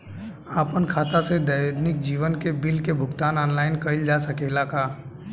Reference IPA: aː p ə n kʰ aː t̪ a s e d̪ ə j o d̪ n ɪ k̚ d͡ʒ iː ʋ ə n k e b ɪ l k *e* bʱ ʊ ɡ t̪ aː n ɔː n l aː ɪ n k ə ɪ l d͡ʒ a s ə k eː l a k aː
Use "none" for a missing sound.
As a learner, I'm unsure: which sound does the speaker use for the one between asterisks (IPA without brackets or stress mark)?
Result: e